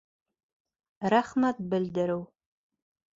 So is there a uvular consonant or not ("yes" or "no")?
yes